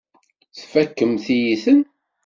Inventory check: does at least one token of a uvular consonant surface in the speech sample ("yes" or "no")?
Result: no